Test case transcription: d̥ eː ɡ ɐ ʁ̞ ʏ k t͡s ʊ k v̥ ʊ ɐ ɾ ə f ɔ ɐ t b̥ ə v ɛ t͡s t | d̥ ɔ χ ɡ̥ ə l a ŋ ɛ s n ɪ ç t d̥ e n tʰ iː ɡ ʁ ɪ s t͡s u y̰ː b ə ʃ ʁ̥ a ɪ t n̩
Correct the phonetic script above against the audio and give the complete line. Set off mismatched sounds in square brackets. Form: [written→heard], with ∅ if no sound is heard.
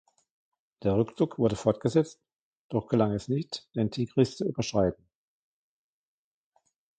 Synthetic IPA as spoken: d̥ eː [ɡ→∅] ɐ ʁ̞ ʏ k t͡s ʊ k v̥ ʊ ɐ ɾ ə f ɔ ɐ t [b̥→ɡ̥] ə [v→z] ɛ t͡s t | d̥ ɔ χ ɡ̥ ə l a ŋ ɛ s n ɪ ç t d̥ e n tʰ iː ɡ ʁ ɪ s t͡s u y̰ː b [ə→ɐ] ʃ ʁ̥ a ɪ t n̩